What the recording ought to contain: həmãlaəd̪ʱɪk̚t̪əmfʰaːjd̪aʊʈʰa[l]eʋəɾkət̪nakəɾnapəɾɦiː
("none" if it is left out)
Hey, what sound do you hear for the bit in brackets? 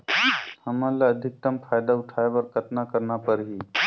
none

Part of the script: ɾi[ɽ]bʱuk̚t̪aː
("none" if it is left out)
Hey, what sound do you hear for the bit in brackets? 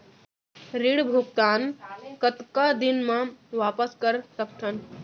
ɽ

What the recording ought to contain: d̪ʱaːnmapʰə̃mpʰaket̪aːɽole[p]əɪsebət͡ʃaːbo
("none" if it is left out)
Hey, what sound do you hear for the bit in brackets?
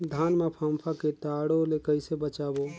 k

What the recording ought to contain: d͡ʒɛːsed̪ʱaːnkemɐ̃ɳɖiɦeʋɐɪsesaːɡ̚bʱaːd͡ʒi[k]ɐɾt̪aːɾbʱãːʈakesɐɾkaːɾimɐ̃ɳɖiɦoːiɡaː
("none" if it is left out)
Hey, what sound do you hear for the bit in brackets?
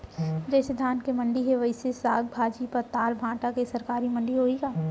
p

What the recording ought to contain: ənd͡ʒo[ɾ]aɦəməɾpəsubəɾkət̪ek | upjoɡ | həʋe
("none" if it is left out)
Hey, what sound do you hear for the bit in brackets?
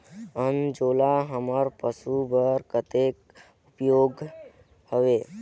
l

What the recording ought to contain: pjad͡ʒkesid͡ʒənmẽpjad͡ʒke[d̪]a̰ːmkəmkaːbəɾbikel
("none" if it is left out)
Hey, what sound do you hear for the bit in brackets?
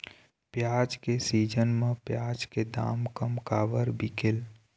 d̪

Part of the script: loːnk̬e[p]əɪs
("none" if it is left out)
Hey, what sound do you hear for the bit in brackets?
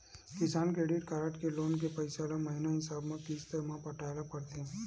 p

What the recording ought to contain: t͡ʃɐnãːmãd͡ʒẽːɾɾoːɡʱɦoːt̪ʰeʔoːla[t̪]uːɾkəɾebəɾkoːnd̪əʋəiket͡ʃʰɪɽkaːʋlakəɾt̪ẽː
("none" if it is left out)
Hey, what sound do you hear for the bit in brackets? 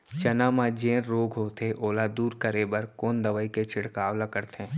d̪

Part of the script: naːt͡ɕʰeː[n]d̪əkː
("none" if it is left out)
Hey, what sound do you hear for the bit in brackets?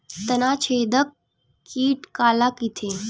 none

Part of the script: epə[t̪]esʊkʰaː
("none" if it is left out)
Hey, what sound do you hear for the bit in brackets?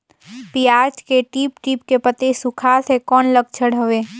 t̪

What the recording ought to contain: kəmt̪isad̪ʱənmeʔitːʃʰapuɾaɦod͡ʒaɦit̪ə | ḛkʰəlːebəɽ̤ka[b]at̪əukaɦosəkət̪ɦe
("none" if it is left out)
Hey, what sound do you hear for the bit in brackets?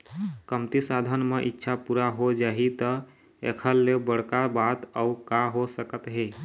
b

